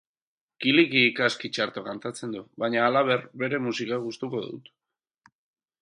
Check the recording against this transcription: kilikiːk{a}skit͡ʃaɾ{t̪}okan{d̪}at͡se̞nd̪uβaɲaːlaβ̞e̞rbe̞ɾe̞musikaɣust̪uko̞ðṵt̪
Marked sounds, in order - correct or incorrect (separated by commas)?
correct, correct, incorrect